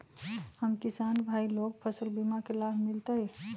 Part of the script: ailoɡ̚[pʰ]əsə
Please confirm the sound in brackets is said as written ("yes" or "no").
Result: yes